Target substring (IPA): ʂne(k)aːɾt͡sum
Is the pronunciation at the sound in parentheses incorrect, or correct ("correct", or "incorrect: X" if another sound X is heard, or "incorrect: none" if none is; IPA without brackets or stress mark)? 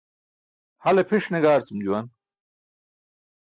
incorrect: ɡ